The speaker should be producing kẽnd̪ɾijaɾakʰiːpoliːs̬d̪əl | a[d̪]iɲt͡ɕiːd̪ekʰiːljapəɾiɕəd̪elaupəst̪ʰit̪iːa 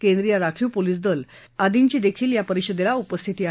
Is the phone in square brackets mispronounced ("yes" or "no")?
no